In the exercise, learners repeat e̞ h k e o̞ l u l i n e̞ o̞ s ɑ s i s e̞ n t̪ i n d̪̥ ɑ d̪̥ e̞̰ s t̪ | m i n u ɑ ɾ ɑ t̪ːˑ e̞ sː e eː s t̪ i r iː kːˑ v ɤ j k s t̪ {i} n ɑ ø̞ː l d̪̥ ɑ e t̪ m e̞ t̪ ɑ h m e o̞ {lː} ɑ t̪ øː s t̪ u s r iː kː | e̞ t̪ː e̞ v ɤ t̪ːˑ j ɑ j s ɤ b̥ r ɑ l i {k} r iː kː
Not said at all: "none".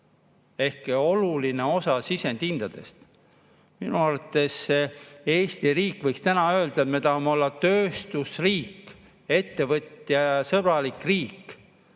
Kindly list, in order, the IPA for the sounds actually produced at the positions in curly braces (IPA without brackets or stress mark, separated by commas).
æ, lː, k